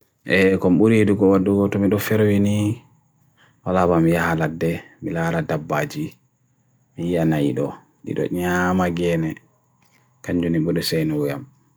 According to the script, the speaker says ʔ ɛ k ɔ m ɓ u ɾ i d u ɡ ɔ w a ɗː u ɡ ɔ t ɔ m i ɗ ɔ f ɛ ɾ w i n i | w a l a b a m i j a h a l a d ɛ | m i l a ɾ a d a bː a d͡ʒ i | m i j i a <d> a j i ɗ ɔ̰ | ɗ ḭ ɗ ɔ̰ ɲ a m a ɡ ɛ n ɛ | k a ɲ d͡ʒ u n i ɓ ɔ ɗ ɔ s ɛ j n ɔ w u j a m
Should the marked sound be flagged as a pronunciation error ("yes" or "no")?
yes